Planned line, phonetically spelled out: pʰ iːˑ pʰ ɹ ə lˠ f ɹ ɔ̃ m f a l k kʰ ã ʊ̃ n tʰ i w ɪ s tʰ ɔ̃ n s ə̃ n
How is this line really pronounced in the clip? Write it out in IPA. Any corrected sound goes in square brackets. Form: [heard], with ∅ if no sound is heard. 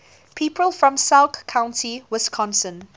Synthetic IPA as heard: pʰ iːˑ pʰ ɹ ə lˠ f ɹ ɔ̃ m [s] a l k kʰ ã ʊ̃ n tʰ i w ɪ s [kʰ] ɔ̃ n s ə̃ n